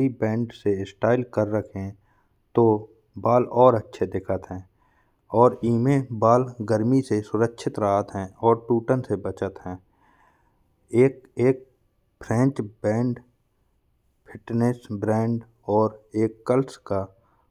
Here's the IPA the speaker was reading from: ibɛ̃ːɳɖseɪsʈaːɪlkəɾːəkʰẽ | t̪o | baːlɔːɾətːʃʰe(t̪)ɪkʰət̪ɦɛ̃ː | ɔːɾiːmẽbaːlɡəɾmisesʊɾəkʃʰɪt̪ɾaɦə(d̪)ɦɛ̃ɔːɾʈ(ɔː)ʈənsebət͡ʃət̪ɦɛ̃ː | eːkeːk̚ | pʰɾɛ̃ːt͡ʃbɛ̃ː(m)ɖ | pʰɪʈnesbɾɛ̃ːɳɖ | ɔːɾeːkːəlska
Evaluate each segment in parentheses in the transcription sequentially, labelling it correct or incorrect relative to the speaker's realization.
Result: incorrect, incorrect, incorrect, incorrect

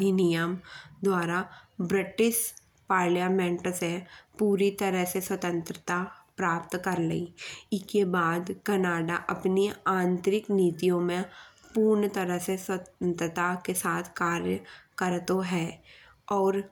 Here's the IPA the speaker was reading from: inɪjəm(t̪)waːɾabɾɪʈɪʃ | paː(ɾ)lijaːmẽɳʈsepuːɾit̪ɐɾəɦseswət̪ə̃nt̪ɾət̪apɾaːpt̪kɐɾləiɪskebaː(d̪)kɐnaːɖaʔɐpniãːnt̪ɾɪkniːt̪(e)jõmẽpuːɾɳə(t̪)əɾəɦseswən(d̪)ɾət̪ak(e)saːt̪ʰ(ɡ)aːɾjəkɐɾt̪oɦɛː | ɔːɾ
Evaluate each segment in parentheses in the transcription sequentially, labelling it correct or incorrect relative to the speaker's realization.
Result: incorrect, correct, correct, incorrect, correct, incorrect, correct, incorrect

